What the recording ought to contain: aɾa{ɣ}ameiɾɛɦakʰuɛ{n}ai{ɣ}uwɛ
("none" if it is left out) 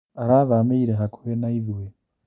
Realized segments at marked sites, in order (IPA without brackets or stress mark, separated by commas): ð, n, ð